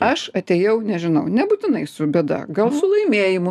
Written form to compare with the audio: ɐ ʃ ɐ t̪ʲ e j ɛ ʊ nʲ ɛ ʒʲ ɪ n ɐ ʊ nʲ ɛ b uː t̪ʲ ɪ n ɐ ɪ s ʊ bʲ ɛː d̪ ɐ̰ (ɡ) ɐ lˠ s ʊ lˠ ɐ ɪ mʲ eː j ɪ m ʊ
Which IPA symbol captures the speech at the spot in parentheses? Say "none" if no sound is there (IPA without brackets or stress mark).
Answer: ɡ